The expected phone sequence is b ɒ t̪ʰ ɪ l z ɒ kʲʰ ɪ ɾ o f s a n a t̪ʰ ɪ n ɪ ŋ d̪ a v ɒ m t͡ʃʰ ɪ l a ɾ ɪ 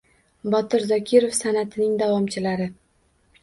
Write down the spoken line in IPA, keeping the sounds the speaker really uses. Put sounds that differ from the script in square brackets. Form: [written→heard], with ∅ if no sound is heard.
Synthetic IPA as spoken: b ɒ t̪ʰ ɪ [l→ɾ] z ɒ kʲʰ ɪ ɾ o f s a n a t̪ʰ ɪ n ɪ ŋ d̪ a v ɒ m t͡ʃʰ ɪ l a ɾ ɪ

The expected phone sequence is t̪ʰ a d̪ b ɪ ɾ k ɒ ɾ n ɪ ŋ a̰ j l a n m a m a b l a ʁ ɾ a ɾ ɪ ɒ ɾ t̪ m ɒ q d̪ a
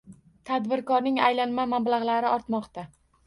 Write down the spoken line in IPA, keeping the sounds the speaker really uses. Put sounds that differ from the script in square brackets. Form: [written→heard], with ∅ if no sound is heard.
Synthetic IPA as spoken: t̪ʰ a d̪ b ɪ ɾ k ɒ ɾ n ɪ ŋ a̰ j l a n m a m a b l a ʁ [ɾ→l] a ɾ ɪ ɒ ɾ t̪ m ɒ q [d̪→t̪] a

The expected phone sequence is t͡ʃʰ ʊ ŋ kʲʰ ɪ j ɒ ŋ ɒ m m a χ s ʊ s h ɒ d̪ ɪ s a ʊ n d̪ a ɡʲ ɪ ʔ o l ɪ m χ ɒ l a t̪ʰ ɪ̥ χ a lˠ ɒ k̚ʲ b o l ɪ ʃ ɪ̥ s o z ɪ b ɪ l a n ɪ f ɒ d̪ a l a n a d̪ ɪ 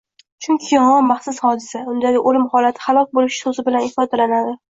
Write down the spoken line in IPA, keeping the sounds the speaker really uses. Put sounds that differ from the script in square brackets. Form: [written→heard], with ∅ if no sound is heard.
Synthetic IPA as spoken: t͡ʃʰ ʊ ŋ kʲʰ ɪ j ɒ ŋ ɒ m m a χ s ʊ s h ɒ d̪ ɪ s a ʊ n d̪ a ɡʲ ɪ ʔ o l ɪ m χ ɒ l a t̪ʰ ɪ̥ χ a lˠ ɒ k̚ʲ b o l ɪ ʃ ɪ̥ s o z ɪ b ɪ l a n ɪ f ɒ d̪ a l a n a d̪ ɪ

